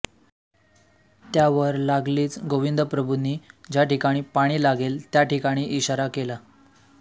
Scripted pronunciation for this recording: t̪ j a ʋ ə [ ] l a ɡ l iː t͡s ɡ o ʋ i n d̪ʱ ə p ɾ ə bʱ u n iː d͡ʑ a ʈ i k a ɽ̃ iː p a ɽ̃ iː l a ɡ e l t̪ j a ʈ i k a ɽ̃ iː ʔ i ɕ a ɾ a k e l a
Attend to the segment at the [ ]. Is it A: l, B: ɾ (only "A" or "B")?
B